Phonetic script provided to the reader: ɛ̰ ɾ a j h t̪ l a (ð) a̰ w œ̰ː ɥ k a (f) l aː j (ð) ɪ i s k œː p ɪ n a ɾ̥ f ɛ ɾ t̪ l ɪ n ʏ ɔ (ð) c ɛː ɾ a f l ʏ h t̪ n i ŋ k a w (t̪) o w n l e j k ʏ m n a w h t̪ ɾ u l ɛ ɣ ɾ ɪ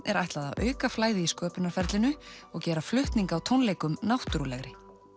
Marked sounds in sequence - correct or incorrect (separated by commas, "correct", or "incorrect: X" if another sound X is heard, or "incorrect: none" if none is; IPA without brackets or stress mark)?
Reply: correct, correct, correct, incorrect: ɣ, incorrect: t̪ʰ